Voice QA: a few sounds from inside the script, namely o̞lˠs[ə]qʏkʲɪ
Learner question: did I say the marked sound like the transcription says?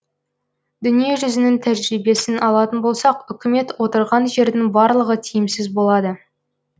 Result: no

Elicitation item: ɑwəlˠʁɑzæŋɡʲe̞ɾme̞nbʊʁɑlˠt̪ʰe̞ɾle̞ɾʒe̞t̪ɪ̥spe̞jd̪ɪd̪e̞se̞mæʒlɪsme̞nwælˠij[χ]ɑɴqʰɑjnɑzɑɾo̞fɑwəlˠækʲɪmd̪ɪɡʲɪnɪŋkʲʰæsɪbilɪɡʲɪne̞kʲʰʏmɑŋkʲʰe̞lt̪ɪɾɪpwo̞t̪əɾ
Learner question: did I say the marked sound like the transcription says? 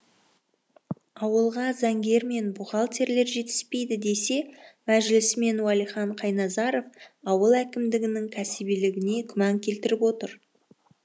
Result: yes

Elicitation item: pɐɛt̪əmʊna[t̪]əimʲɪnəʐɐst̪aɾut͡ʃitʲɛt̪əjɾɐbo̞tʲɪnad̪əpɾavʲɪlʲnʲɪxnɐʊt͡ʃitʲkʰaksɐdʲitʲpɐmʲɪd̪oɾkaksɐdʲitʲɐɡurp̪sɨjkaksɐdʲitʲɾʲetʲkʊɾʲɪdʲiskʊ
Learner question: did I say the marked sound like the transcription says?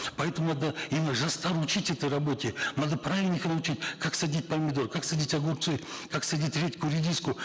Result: no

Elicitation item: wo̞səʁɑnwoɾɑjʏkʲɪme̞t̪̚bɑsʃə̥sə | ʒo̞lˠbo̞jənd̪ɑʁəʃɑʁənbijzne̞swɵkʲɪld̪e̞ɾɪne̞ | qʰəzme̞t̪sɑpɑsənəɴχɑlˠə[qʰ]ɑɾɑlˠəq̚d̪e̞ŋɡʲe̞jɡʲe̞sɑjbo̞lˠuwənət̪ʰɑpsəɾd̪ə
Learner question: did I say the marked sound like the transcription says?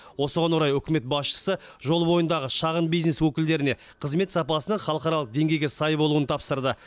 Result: no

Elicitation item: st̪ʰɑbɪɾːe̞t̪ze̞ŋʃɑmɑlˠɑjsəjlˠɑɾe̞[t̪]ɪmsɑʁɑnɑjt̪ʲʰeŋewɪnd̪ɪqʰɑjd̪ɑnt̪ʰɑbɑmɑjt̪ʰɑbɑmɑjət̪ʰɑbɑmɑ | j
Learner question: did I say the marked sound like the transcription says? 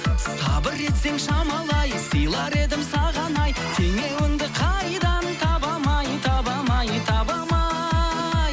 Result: no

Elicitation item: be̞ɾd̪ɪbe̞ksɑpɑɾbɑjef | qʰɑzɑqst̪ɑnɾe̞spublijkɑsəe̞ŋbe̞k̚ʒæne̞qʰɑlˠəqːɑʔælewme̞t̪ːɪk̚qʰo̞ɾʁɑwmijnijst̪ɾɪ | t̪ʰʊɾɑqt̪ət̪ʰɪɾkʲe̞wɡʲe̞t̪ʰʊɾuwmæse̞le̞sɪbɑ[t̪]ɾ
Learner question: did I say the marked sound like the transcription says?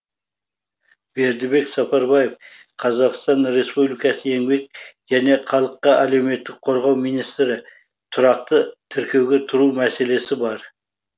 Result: no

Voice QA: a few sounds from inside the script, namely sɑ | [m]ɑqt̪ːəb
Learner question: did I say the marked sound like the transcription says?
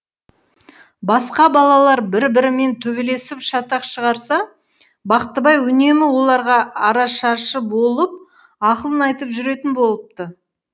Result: no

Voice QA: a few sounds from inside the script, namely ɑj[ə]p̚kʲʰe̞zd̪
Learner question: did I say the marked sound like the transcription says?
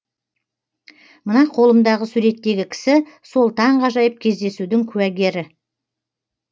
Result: yes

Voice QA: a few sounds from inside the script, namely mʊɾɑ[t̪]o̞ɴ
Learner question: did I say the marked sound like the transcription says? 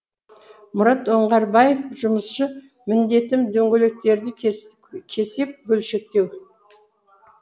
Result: yes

